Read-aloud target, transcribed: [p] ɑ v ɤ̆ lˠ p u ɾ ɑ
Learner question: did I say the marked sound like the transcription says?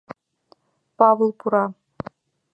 yes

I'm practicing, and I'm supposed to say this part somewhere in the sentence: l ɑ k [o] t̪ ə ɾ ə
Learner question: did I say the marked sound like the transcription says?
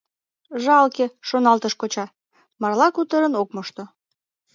no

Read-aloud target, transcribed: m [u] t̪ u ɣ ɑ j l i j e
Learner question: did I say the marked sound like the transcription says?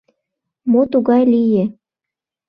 no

